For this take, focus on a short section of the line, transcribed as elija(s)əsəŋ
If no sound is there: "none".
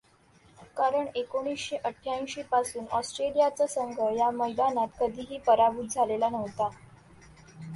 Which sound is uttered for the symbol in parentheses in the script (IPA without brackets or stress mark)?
t͡s